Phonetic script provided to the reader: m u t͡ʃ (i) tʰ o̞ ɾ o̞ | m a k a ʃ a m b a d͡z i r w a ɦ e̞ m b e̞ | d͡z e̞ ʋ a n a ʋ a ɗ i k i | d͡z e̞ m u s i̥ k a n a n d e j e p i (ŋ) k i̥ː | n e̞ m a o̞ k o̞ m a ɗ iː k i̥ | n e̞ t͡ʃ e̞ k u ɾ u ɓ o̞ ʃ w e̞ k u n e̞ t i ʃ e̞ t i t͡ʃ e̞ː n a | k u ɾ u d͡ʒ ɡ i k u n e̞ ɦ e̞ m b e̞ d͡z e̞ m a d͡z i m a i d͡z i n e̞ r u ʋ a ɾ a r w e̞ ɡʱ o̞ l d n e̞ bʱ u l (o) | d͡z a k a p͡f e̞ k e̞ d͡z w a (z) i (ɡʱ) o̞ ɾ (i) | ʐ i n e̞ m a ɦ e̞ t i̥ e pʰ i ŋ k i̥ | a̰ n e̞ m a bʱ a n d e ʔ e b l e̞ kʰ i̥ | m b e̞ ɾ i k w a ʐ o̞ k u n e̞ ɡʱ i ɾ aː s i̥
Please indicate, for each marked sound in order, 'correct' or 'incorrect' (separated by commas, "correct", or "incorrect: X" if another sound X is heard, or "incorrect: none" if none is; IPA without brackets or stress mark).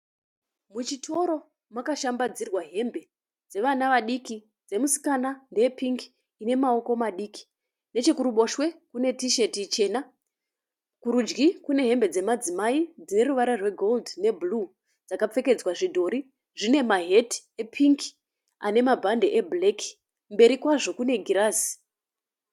correct, correct, incorrect: u, incorrect: ʐ, incorrect: dʱ, correct